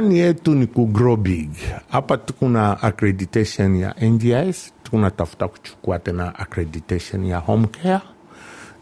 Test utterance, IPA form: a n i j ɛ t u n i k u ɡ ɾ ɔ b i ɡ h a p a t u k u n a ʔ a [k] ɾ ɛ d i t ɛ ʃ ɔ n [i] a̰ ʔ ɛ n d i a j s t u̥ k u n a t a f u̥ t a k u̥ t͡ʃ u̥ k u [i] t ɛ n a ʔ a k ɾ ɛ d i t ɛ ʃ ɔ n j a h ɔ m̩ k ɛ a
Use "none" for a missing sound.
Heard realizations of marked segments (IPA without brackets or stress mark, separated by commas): k, j, a